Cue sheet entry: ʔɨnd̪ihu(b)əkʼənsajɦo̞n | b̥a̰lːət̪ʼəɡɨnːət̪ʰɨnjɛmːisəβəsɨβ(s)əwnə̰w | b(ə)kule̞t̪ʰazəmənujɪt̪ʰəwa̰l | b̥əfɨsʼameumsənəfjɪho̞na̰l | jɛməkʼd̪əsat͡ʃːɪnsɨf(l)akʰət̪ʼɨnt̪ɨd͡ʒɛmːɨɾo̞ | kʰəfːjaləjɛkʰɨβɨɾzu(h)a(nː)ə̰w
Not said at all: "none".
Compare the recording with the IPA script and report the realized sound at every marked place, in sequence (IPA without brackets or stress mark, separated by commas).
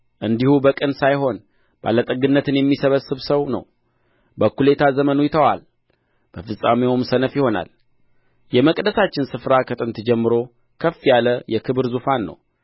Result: b, s, ə, ɾ, f, nː